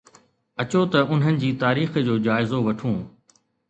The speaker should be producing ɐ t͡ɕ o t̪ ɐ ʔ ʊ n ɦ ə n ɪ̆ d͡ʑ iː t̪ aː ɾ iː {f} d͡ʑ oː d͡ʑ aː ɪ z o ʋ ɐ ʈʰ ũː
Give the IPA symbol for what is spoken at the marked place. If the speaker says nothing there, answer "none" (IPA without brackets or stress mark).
x